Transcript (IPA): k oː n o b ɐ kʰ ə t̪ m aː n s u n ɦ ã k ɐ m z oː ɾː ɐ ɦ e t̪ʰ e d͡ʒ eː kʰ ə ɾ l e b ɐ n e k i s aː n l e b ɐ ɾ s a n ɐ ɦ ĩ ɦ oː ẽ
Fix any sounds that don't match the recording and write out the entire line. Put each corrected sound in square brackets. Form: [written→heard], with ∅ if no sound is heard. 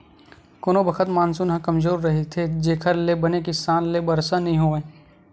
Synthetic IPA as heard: k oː n o b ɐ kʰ ə t̪ m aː n s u n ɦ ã k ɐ m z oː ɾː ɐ ɦ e t̪ʰ e d͡ʒ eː kʰ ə ɾ l e b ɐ n e k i s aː n l e b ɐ ɾ s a n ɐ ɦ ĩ ɦ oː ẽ